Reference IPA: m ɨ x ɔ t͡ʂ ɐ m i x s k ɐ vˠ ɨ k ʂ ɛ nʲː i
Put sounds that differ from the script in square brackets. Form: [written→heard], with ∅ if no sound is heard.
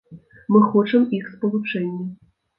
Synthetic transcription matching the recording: m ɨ x ɔ t͡ʂ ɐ m i x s [k→p] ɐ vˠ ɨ [k→p] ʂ ɛ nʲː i

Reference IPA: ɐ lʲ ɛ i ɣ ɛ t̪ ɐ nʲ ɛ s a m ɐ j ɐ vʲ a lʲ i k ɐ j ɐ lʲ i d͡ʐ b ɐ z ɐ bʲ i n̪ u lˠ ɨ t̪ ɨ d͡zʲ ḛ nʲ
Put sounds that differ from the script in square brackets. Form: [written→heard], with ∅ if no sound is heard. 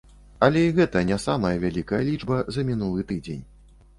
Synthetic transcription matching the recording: ɐ lʲ ɛ i ɣ ɛ t̪ ɐ nʲ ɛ s a m ɐ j ɐ vʲ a lʲ i k ɐ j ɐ lʲ i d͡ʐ b ɐ z ɐ [bʲ→mʲ] i n̪ u lˠ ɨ t̪ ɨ d͡zʲ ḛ nʲ

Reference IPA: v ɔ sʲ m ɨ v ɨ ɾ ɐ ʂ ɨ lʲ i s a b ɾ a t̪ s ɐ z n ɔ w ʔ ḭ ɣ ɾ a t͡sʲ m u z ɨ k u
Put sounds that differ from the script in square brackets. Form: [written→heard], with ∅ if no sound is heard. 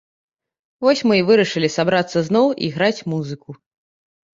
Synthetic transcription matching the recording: v ɔ sʲ m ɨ v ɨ ɾ ɐ ʂ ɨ lʲ i s a b ɾ a t̪ [s→sː] ɐ z n ɔ w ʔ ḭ ɣ ɾ a t͡sʲ m u z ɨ k u

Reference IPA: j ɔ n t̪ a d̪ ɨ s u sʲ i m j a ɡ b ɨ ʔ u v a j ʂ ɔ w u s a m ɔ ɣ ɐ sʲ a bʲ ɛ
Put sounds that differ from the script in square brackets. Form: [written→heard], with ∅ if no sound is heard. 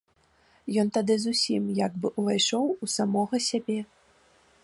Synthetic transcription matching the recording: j ɔ n t̪ a d̪ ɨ [s→z] u sʲ i m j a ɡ b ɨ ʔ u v a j ʂ ɔ w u s a m ɔ ɣ ɐ sʲ a bʲ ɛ

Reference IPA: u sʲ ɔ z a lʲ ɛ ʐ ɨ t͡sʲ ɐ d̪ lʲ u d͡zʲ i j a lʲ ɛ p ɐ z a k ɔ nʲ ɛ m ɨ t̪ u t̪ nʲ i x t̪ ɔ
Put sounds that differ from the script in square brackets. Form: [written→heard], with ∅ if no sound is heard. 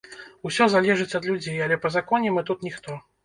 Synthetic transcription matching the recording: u sʲ ɔ z a lʲ ɛ ʐ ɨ t͡sʲ ɐ d̪ lʲ u d͡zʲ [i→e] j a lʲ ɛ p ɐ z a k ɔ nʲ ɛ m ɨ t̪ u t̪ nʲ i x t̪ ɔ

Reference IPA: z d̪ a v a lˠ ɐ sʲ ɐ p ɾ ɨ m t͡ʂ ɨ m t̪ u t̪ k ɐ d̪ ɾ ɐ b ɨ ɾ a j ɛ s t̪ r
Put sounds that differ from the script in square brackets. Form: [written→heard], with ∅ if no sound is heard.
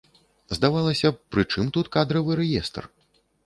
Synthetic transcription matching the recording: z d̪ a v a lˠ ɐ sʲ ɐ p ɾ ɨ [m→∅] t͡ʂ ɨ m t̪ u t̪ k [ɐ→a] d̪ ɾ ɐ [b→v] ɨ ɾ [a→ɛ] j ɛ s t̪ r

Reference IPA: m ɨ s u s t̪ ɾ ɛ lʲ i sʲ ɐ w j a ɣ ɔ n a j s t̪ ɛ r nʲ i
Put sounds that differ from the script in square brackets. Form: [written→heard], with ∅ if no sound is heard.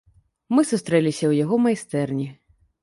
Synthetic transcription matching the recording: m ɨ s u s t̪ ɾ ɛ lʲ i sʲ ɐ w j a ɣ ɔ [n→m] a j s t̪ ɛ r nʲ i

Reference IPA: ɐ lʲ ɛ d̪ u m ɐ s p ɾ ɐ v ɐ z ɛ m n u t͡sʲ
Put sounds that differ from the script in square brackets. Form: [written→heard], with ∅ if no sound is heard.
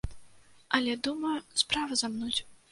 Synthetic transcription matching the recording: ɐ lʲ ɛ d̪ u m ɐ s p ɾ [ɐ→a] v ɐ z [ɛ→a] m n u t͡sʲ

